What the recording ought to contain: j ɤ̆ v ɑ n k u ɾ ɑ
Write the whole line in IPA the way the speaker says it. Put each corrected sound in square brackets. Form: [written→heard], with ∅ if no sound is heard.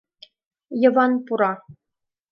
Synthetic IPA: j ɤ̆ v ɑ n [k→p] u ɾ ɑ

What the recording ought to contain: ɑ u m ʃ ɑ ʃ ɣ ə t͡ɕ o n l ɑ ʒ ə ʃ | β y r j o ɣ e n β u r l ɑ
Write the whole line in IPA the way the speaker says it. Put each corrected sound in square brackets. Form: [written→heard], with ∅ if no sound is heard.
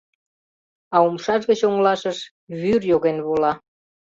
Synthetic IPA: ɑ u m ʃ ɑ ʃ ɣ ə t͡ɕ o [n→ŋ] l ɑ [ʒ→ʃ] ə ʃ | β y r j o ɣ e n β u [r→∅] l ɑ

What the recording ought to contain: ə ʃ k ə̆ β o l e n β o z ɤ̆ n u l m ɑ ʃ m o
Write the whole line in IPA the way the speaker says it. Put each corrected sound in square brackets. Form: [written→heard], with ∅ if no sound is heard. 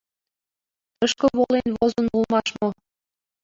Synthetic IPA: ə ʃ k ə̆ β o l e n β o z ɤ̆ n u l m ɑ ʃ m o

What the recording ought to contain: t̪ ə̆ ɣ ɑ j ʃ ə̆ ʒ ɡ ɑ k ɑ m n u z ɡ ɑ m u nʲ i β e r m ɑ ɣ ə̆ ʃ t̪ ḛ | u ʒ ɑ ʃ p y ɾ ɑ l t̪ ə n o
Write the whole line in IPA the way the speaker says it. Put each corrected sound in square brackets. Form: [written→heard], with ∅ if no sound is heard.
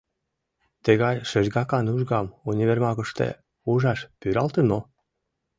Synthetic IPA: t̪ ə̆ ɣ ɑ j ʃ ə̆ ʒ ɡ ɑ k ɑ [m→∅] n u [z→ʒ] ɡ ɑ m u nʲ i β e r m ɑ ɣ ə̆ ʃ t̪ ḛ | u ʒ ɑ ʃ p y ɾ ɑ l t̪ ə n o

